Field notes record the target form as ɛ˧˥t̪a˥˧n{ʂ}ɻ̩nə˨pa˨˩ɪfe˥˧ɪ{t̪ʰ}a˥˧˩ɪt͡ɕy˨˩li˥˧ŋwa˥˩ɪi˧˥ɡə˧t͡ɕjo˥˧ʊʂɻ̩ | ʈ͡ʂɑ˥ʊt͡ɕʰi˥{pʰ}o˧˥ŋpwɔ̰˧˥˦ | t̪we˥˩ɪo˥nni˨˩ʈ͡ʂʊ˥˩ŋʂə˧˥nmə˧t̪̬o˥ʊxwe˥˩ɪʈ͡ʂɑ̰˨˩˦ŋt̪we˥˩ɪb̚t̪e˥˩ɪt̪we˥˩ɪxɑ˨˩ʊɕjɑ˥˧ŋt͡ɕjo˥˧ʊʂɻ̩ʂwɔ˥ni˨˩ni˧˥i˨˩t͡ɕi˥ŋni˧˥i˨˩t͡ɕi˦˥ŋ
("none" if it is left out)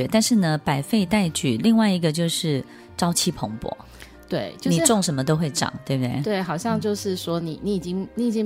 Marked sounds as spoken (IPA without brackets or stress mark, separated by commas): ʂ, t̪, pʰ